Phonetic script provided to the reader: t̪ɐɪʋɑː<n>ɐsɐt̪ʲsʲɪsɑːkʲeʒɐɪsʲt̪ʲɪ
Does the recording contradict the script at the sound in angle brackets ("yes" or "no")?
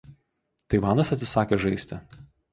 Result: no